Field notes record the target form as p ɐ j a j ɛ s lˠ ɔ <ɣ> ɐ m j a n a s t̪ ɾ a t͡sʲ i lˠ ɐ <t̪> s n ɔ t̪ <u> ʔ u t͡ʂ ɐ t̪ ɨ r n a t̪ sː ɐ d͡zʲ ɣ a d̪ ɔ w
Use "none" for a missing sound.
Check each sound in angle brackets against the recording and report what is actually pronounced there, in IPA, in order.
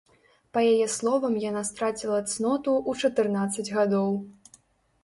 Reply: v, t̪, u

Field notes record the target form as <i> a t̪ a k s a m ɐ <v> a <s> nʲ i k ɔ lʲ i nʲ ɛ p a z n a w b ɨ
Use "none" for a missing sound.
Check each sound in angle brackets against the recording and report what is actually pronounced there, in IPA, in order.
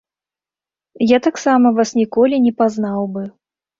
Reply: j, v, s

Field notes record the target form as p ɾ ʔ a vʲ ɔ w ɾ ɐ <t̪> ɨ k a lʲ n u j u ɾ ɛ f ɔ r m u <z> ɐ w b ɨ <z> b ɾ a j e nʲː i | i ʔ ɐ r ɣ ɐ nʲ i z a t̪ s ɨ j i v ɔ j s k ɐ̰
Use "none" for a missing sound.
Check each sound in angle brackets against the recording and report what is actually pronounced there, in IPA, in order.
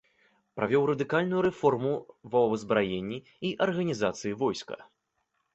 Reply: d̪, v, z

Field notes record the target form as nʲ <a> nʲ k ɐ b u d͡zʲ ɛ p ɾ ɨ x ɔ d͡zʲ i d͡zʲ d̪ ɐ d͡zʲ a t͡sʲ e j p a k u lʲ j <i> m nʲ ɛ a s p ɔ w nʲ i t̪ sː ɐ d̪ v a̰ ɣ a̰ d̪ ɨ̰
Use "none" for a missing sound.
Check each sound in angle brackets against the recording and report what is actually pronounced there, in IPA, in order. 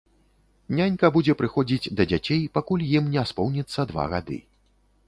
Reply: a, i

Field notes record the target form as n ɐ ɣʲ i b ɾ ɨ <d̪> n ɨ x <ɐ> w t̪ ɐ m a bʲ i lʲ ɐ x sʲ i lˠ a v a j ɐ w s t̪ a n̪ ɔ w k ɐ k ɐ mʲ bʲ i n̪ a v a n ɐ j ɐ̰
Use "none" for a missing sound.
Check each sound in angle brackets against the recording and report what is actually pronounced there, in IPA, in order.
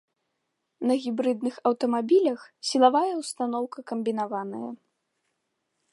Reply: d̪, ɐ

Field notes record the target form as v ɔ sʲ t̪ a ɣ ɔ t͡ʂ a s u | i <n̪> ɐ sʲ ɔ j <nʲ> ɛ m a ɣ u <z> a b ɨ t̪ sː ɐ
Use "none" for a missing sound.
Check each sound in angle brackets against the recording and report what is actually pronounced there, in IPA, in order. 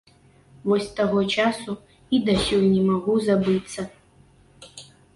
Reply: d̪, nʲ, z

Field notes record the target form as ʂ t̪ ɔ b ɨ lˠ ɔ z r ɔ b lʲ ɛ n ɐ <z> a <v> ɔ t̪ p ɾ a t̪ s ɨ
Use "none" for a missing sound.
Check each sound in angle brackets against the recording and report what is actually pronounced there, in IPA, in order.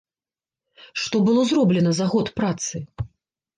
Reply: z, ɣ

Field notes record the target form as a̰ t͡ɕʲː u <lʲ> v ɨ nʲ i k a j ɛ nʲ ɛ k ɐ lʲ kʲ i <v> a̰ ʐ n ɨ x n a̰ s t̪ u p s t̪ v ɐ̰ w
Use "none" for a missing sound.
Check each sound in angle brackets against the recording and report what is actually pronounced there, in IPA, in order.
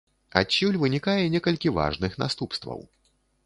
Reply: lʲ, v

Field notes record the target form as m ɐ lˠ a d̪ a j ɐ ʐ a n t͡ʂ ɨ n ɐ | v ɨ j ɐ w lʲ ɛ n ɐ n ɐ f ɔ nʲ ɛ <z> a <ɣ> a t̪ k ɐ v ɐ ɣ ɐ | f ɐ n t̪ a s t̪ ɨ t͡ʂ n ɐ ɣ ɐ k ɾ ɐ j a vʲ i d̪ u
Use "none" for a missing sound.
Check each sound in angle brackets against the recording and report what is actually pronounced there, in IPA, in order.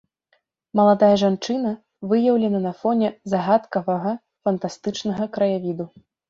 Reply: z, ɣ

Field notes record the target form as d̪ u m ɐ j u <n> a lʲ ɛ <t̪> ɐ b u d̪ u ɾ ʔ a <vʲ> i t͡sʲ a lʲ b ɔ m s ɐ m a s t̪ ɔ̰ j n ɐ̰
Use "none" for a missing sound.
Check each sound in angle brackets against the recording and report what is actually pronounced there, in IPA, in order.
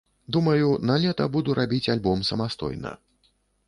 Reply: n, t̪, bʲ

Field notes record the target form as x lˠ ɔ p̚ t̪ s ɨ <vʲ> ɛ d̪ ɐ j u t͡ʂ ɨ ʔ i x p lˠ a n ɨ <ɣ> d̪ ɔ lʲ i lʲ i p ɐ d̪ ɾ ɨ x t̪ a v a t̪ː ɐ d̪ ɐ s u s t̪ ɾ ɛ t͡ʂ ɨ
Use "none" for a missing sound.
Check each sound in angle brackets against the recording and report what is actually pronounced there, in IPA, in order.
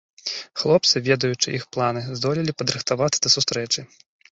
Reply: vʲ, z

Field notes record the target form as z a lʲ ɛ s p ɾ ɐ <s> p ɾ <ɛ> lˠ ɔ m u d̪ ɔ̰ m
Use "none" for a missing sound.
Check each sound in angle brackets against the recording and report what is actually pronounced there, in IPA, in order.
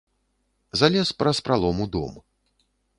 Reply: s, a

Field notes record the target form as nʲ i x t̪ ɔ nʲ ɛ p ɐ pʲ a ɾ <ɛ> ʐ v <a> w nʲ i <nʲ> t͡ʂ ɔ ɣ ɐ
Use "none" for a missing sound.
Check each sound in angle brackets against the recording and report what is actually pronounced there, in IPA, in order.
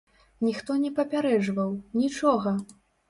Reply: ɛ, ɐ, none

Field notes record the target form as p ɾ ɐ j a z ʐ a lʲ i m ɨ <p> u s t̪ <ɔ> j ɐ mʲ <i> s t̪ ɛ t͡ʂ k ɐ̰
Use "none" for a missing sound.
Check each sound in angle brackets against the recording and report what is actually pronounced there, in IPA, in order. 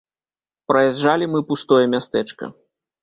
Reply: p, ɔ, a

